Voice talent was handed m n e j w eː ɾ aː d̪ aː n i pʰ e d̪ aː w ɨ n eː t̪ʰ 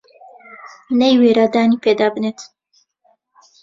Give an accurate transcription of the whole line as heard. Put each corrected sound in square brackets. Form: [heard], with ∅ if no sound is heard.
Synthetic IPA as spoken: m n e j w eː ɾ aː d̪ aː n i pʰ e d̪ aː [b] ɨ n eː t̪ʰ